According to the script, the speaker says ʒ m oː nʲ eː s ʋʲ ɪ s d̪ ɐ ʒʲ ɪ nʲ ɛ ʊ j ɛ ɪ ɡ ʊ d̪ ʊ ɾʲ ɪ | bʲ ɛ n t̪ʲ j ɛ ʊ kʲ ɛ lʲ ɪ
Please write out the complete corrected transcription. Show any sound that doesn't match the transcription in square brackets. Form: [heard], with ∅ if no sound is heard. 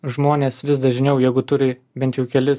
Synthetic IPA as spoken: ʒ m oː nʲ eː s ʋʲ ɪ s d̪ ɐ ʒʲ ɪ nʲ ɛ ʊ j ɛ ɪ ɡ ʊ [t̪] ʊ ɾʲ ɪ | bʲ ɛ n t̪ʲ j ɛ ʊ kʲ ɛ lʲ ɪ

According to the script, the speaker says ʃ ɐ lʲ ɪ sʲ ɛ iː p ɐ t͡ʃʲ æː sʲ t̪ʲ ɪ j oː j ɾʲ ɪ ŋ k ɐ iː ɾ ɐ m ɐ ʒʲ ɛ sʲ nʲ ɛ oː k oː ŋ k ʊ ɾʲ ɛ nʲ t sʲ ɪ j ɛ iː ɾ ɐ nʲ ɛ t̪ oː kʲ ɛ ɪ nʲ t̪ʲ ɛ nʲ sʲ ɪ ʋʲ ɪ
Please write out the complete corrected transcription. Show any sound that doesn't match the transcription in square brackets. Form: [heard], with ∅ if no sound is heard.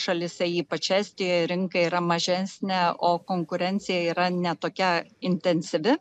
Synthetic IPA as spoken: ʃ ɐ lʲ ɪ sʲ ɛ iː p ɐ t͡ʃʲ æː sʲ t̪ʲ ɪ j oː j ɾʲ ɪ ŋ k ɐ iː ɾ ɐ m ɐ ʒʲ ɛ sʲ nʲ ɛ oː k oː ŋ k ʊ ɾʲ ɛ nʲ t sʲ ɪ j ɛ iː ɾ ɐ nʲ ɛ t̪ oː kʲ ɛ ɪ nʲ t̪ʲ ɛ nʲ sʲ ɪ ʋʲ ɪ

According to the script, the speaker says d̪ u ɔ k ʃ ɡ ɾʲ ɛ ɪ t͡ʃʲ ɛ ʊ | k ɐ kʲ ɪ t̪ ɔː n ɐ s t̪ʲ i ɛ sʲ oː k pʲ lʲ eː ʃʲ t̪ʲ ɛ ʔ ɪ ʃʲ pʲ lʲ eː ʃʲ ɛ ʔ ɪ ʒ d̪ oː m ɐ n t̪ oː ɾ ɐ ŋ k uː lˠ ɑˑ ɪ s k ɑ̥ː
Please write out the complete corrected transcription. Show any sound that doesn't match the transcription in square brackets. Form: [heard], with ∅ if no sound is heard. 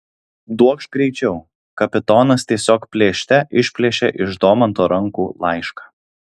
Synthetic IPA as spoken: d̪ u ɔ k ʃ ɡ ɾʲ ɛ ɪ t͡ʃʲ ɛ ʊ | k ɐ [pʲ] ɪ t̪ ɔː n ɐ s t̪ʲ i ɛ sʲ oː k pʲ lʲ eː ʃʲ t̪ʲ ɛ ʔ ɪ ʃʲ pʲ lʲ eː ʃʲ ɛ ʔ ɪ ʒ d̪ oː m ɐ n t̪ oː ɾ ɐ ŋ k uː lˠ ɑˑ ɪ [ʃ] k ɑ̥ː

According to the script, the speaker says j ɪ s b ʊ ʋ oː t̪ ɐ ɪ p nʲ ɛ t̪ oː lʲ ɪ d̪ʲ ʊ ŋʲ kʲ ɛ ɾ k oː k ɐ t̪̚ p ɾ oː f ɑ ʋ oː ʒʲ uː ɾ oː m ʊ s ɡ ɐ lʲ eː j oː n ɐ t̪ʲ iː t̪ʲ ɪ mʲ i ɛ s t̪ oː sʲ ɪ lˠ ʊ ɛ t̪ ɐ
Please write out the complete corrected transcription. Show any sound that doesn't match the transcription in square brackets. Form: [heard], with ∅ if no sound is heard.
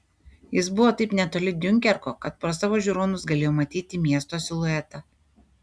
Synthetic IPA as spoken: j ɪ s b ʊ ʋ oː t̪ ɐ ɪ p nʲ ɛ t̪ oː lʲ ɪ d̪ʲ ʊ ŋʲ kʲ ɛ ɾ k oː k ɐ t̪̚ p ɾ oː [s] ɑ ʋ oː ʒʲ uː ɾ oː [n] ʊ s ɡ ɐ lʲ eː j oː [m] ɐ t̪ʲ iː t̪ʲ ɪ mʲ i ɛ s t̪ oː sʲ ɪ lˠ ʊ ɛ t̪ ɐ

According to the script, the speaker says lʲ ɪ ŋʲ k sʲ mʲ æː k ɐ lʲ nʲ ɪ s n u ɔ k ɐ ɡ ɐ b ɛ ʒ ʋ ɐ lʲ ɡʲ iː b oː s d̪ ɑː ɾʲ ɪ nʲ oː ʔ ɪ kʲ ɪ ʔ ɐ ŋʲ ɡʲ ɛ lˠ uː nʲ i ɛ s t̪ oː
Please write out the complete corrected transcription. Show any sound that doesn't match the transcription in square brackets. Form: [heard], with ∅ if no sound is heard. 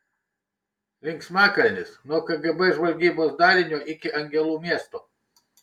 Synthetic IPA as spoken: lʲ ɪ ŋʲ k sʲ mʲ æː k ɐ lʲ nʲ ɪ s n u ɔ k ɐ ɡ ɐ b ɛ ʒ ʋ ɐ lʲ ɡʲ iː b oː s d̪ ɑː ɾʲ ɪ nʲ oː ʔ ɪ kʲ ɪ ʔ ɐ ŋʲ ɡʲ ɛ lˠ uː [mʲ] i ɛ s t̪ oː

